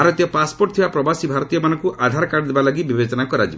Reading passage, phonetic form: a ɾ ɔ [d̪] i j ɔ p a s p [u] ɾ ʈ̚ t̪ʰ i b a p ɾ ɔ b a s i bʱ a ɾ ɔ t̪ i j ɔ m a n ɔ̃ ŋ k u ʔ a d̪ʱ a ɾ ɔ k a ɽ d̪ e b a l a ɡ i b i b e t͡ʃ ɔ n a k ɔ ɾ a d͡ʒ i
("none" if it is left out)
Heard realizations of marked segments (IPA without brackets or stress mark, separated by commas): t̪, o